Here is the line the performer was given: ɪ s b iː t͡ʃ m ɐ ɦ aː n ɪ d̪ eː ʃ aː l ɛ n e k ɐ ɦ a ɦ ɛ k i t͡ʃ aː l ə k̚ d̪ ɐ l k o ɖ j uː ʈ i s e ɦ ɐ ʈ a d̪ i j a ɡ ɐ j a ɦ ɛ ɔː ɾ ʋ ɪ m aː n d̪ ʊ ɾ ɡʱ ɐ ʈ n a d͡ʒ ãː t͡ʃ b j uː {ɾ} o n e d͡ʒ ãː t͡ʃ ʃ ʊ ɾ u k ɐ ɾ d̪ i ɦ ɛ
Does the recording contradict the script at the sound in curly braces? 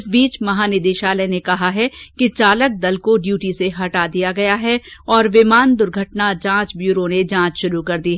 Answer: no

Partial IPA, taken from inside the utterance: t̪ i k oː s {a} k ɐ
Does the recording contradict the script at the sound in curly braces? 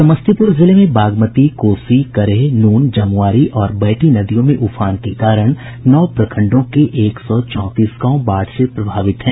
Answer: yes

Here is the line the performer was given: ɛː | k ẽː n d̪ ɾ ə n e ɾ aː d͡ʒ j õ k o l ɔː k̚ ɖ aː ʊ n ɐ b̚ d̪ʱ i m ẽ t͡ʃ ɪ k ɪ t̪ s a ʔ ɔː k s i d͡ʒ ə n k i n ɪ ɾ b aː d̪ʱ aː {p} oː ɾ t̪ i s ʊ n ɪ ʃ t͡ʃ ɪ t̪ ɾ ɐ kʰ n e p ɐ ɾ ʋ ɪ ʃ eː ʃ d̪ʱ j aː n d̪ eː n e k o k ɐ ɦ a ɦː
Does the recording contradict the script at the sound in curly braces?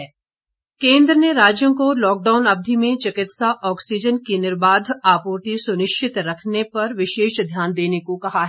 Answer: no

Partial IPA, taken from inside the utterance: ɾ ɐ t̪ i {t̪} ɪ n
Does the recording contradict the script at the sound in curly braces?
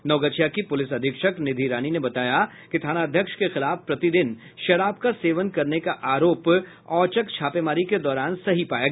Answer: yes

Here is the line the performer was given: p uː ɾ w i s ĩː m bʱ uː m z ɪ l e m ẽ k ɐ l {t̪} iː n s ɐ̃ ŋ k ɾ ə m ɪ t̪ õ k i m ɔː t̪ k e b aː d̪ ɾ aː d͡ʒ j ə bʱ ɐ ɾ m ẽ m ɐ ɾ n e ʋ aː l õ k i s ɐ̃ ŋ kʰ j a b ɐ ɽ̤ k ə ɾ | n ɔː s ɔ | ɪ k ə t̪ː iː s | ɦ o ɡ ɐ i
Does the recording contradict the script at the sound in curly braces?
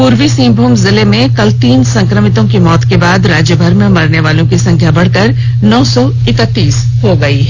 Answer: no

